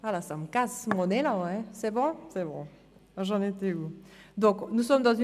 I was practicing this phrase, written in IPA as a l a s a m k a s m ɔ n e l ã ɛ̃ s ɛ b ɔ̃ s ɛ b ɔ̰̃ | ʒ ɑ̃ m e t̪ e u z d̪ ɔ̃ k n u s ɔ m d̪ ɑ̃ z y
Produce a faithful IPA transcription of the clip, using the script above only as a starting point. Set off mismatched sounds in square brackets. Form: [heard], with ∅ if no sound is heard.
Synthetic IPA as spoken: a l a s a m k a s m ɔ n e l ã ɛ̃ s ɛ b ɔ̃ s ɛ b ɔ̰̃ | ʒ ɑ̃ [n] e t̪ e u [∅] d̪ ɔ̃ k n u s ɔ m d̪ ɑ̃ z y